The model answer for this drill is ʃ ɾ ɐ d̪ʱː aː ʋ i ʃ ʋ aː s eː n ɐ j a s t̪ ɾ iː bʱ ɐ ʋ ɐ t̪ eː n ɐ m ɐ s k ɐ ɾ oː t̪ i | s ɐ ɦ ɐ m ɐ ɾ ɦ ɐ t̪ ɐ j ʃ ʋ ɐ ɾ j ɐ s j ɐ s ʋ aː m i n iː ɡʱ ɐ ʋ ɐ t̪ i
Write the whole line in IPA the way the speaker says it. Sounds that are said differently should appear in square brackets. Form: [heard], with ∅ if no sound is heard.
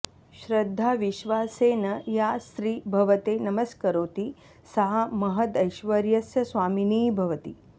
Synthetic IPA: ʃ ɾ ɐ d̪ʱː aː ʋ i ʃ ʋ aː s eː n ɐ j a s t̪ ɾ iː bʱ ɐ ʋ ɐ t̪ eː n ɐ m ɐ s k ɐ ɾ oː t̪ i | s ɐ ɦ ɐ m ɐ [∅] ɦ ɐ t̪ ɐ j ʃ ʋ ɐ ɾ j ɐ s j ɐ s ʋ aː m i n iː [bʱ] ɐ ʋ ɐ t̪ i